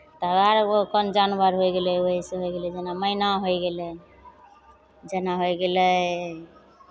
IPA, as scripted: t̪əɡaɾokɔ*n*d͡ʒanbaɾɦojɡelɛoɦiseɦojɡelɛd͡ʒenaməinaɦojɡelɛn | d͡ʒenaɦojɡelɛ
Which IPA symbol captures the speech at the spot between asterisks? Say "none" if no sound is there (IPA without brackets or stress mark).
n